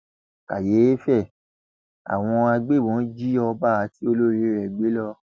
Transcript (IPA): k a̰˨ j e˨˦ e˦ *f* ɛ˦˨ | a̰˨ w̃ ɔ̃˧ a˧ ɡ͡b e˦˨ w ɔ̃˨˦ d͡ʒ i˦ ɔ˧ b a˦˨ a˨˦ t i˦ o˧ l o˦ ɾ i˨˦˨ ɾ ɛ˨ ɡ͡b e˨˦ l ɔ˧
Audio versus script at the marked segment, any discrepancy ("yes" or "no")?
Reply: no